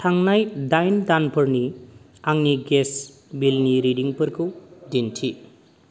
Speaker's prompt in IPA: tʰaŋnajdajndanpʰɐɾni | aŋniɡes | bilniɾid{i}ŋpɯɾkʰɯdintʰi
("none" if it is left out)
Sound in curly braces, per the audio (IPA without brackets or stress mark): i